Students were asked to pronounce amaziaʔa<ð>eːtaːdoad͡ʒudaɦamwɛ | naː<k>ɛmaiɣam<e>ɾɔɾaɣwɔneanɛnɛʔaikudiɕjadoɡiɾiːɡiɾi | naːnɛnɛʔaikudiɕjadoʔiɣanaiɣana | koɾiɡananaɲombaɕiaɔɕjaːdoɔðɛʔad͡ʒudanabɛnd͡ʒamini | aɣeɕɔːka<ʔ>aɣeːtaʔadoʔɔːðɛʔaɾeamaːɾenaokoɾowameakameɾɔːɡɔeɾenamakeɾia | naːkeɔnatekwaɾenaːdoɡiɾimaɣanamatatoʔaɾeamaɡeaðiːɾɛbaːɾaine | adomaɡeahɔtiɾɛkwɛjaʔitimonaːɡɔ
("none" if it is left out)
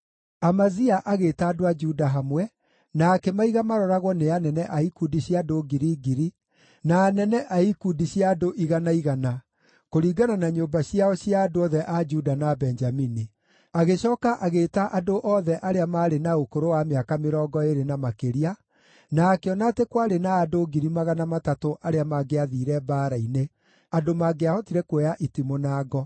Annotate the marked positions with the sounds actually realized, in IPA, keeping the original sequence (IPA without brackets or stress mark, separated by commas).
ɣ, k, a, ʔ